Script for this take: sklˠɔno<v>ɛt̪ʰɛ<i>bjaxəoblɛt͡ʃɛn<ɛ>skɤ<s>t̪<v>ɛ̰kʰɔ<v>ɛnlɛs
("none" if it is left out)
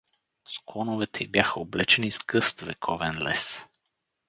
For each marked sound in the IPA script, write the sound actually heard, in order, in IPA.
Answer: v, i, i, s, v, v

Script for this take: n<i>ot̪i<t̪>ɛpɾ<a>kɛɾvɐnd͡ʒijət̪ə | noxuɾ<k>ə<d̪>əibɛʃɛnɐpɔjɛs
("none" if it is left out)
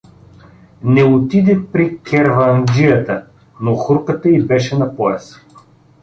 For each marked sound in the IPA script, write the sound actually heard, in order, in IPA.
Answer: ɛ, d̪, i, k, t̪

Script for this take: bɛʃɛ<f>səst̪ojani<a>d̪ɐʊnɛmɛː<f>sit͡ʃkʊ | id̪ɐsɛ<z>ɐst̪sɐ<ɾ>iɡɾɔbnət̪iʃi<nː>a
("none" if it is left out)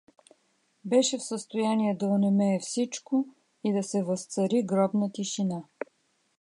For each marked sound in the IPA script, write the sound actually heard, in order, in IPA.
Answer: f, ɛ, f, v, ɾ, n

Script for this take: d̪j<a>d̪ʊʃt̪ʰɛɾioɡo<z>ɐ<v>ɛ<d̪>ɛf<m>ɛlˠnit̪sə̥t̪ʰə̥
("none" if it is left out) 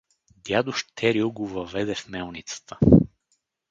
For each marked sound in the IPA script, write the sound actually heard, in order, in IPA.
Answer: a, v, v, d̪, m

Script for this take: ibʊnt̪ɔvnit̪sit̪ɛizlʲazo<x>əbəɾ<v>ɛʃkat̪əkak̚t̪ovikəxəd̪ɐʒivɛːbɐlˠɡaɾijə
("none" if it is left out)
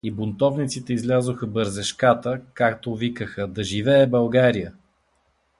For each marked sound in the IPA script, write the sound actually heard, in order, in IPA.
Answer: x, z

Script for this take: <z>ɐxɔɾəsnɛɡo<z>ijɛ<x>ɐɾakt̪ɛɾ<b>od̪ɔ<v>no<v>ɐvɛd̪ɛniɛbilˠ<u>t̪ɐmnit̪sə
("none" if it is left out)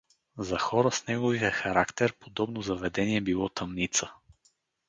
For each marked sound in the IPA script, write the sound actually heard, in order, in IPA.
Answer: z, v, x, p, b, z, ɔ

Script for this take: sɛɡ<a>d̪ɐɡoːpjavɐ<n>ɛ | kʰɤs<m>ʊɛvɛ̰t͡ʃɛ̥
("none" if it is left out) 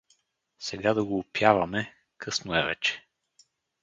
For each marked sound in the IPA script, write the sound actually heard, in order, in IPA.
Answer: a, m, n

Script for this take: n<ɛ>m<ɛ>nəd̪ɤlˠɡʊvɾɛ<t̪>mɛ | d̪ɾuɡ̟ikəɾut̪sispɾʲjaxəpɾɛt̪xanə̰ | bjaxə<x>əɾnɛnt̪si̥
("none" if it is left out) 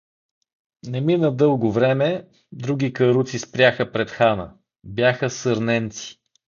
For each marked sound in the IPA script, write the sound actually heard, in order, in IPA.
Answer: ɛ, i, none, s

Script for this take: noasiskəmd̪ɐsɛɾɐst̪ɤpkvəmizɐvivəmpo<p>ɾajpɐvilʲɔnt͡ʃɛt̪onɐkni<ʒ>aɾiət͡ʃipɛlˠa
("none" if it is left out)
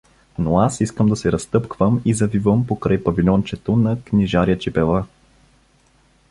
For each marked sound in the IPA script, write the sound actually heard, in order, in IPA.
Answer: k, ʒ

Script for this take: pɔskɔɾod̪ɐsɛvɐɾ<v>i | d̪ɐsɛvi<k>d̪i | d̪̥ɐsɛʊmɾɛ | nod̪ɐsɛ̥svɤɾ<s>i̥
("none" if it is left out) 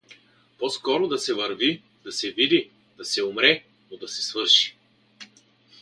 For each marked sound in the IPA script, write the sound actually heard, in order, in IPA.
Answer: v, none, ʃ

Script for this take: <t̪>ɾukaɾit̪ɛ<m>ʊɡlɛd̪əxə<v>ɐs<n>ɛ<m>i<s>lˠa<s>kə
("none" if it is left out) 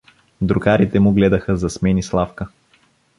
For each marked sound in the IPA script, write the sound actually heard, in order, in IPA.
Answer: d̪, m, z, m, n, s, f

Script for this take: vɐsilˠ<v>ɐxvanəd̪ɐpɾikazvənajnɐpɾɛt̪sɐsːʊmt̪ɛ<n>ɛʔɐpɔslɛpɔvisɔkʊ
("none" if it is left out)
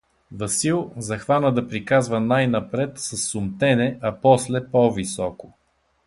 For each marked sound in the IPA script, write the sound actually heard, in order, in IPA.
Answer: z, n

